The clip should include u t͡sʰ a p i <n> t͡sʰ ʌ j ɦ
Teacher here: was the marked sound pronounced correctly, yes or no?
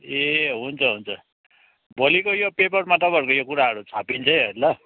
yes